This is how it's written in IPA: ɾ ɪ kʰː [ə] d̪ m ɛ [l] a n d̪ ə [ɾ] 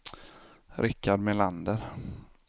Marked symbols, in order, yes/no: no, yes, yes

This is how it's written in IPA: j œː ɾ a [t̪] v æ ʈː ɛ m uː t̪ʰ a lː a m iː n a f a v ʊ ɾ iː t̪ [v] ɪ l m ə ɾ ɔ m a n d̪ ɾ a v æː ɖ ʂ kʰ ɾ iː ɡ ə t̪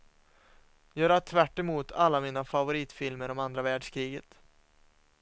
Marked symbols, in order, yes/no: no, no

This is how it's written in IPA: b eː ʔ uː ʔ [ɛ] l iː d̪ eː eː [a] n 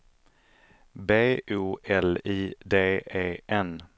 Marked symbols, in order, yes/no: yes, no

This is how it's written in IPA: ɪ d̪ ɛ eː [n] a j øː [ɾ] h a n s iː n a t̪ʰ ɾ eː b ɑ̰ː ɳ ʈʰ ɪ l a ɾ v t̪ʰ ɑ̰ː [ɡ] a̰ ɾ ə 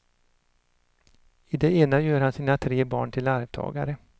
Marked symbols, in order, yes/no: yes, yes, yes

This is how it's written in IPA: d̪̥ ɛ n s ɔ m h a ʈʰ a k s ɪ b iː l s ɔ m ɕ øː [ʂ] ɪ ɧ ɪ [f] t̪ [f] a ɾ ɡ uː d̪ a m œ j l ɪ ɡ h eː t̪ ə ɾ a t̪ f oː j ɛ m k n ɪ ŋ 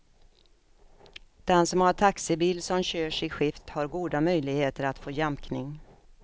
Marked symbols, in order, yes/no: yes, yes, no

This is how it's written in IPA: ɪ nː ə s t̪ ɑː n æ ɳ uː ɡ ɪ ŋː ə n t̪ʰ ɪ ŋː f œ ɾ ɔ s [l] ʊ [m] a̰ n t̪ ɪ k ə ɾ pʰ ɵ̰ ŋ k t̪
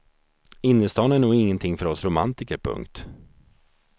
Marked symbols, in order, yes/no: no, yes

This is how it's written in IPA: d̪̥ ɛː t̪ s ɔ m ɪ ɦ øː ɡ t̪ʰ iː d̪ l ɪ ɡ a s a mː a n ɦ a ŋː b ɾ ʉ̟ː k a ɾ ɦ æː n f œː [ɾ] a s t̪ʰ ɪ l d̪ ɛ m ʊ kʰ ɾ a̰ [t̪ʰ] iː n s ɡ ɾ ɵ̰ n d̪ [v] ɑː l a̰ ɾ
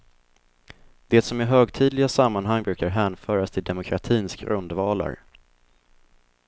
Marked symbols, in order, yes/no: yes, yes, yes

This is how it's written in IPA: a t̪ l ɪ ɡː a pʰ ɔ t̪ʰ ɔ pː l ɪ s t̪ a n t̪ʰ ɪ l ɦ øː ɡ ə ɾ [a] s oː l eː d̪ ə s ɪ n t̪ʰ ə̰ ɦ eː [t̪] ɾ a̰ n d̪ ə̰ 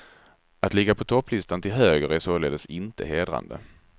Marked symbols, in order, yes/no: no, no

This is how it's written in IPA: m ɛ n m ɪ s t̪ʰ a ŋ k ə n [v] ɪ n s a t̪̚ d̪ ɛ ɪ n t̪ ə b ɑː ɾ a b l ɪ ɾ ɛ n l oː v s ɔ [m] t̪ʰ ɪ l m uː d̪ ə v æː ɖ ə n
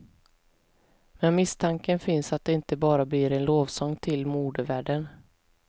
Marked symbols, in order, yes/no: no, no

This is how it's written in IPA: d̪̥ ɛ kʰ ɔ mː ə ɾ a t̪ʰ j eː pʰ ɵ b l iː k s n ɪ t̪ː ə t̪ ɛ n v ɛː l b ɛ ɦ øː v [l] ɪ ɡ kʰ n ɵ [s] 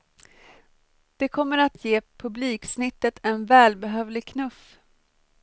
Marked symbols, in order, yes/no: yes, no

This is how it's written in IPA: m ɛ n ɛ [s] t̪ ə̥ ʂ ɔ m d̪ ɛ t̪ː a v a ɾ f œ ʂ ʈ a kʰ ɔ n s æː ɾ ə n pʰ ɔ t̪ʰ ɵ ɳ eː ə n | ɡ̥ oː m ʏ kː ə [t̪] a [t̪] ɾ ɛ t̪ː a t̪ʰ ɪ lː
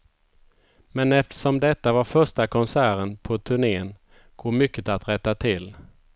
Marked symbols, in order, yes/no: no, yes, yes

